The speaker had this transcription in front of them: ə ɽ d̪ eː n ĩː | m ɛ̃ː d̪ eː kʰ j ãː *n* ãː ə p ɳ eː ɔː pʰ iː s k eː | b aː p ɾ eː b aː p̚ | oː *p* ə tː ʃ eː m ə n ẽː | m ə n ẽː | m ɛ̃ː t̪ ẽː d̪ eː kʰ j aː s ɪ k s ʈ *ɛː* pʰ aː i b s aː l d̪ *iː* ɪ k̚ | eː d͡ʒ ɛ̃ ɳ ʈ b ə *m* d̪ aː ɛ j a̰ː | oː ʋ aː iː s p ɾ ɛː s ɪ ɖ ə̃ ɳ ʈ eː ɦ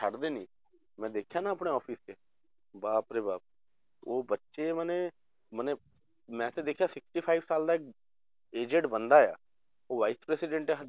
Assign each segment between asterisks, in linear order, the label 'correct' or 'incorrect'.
correct, incorrect, incorrect, incorrect, incorrect

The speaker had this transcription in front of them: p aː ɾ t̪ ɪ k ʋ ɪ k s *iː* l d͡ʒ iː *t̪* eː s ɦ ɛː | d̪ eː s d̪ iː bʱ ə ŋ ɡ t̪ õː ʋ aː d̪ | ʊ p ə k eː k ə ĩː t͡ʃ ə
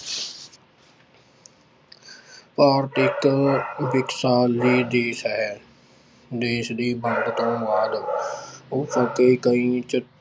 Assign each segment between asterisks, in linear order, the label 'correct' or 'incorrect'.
incorrect, incorrect

